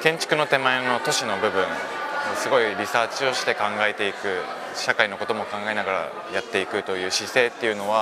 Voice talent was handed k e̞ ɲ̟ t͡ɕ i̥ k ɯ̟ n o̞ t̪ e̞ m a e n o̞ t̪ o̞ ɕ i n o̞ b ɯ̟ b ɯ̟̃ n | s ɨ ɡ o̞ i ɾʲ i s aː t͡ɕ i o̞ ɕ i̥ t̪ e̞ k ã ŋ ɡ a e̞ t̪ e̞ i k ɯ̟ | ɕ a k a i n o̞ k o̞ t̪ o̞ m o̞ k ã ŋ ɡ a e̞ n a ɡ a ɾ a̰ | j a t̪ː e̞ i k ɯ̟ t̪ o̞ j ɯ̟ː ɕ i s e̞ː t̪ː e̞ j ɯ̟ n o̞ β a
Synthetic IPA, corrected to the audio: k ẽ̞ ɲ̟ t͡ɕ i̥ k ɯ̟ n o̞ t̪ e̞ m a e n o̞ t̪ o̞ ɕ i n o̞ b ɯ̟ b ɯ̟̃ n | s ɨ ɡ o̞ i ɾʲ i s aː t͡ɕ i o̞ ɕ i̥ t̪ e̞ k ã ŋ ɡ a e̞ t̪ e̞ i k ɯ̟ | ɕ a k a i n o̞ k o̞ t̪ o̞ m o̞ k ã ŋ ɡ a e̞ n a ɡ a ɾ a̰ | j a t̪ː e̞ i k ɯ̟ t̪ o̞ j ɯ̟ː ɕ i s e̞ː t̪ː e̞ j ɯ̟ n o̞ β a